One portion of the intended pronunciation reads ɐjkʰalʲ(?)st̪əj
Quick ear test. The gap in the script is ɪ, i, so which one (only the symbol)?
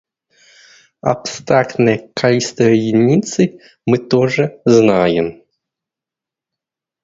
i